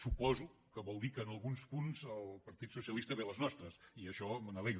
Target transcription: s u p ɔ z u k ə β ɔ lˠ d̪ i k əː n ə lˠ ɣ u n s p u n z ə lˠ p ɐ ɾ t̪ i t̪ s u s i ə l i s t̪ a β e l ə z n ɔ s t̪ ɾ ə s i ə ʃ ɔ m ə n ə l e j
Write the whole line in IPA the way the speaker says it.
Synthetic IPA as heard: s u p ɔ z u k ə β ɔ lˠ d̪ i k əː n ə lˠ ɣ u n s p u n z ə lˠ p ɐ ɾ t̪ i t̪ s u s i ə l i s t̪ ə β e l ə z n ɔ s t̪ ɾ ə s i ə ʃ ɔ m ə n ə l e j